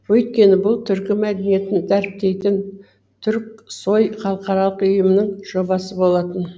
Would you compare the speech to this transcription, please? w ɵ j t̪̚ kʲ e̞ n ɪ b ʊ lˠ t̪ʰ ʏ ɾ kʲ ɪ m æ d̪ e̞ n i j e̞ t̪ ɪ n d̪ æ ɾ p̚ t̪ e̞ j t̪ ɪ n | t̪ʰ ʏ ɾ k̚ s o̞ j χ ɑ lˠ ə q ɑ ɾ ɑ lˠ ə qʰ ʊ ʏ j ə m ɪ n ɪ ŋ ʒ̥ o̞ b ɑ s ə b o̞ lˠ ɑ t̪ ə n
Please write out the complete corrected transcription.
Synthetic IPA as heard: w ɵ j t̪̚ kʲ e̞ n ɪ b ʊ lˠ t̪ʰ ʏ ɾ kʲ ɪ m æ d̪ e̞ n i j e̞ t̪ ɪ n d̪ æ ɾ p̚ t̪ e̞ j t̪ ɪ n | t̪ʰ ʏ ɾ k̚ s o̞ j χ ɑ lˠ ə q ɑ ɾ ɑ lˠ ə q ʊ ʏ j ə m ɪ n ɪ ŋ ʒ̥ o̞ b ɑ s ə b o̞ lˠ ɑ t̪ ə n

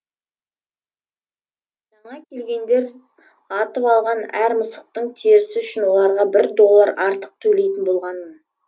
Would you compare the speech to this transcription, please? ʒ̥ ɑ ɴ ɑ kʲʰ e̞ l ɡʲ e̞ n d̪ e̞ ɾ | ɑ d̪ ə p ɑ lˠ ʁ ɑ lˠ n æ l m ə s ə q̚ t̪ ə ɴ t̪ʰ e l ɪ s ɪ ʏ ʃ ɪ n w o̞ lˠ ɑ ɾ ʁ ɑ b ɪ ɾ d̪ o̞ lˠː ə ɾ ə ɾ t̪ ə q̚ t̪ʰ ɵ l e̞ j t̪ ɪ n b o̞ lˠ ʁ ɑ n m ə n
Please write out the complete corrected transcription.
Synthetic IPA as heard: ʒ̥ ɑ ɴ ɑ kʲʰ e̞ l ɡʲ e̞ n d̪ e̞ ɾ | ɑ t̪ ə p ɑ lˠ ʁ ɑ n æ ɾ m ə s ə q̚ t̪ ə ɴ t̪ʰ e ɾ ɪ s ɪ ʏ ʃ ɪ n w o̞ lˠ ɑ ɾ ʁ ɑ b ɪ ɾ d̪ o̞ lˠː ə ɾ ɑ ɾ t̪ ə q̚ t̪ʰ ɵ l e̞ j t̪ ɪ n b o̞ lˠ ʁ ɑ n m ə n

